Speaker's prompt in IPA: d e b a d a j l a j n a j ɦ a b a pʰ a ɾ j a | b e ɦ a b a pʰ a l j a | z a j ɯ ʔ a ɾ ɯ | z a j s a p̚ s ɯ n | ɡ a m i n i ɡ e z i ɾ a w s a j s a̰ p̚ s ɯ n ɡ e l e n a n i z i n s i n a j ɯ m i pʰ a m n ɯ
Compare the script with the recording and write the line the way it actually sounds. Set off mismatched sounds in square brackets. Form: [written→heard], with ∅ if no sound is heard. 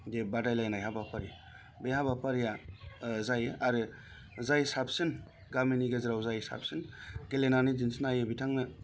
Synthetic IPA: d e b a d a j l a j n a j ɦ a b a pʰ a ɾ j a | b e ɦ a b a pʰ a [l→ɾ] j a | z a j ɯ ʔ a ɾ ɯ | z a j s a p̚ s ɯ n | ɡ a m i n i ɡ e z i ɾ a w [s→z] a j s a̰ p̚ s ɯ n ɡ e l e n a n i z i n s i n a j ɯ [m→b] i [pʰ→tʰ] a [m→ŋ] n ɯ